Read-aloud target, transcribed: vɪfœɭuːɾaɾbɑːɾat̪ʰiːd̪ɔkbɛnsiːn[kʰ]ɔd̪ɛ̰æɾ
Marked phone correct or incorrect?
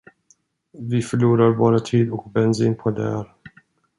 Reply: incorrect: pʰ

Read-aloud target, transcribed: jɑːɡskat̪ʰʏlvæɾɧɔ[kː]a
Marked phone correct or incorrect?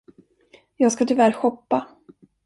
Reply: incorrect: pː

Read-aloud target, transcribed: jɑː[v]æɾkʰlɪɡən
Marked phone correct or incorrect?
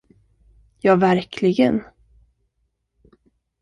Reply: correct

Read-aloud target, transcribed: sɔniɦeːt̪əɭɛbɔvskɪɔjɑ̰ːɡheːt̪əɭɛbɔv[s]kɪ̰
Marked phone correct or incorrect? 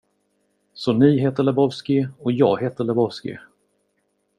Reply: correct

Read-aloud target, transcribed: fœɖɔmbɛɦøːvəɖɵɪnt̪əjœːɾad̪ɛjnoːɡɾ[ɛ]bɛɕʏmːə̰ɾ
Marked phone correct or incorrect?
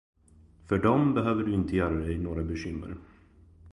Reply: incorrect: a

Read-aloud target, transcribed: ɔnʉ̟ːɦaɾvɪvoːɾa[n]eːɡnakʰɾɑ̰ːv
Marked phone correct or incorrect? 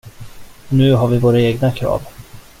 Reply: incorrect: none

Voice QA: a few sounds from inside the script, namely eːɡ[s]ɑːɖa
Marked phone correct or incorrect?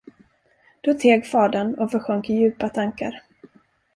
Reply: incorrect: f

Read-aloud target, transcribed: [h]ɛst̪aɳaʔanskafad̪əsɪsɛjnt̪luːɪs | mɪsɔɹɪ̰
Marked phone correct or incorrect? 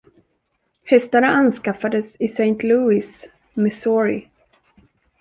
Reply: correct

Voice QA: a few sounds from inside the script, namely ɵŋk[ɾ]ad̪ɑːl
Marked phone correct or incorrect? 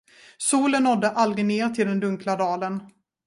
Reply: incorrect: l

